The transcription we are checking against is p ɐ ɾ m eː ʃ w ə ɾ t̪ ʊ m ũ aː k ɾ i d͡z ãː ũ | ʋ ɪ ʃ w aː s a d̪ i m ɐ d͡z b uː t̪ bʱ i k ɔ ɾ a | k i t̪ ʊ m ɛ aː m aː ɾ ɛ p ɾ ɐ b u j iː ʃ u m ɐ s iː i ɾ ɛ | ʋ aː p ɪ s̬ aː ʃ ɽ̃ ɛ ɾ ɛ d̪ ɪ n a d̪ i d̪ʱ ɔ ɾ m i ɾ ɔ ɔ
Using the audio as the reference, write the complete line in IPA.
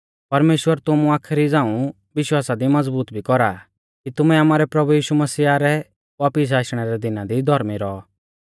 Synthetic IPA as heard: p ɐ ɾ m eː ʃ w ə ɾ t̪ ʊ m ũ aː kʰ ɾ i d͡z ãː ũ | ʋ ɪ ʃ w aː s a d̪ i m ɐ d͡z b uː t̪ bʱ i k ɔ ɾ a | k i t̪ ʊ m ɛ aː m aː ɾ ɛ p ɾ ɐ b u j iː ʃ u m ɐ s iː a ɾ ɛ | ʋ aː p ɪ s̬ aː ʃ ɽ̃ ɛ ɾ ɛ d̪ ɪ n a d̪ i d̪ʱ ɔ ɾ m i ɾ ɔ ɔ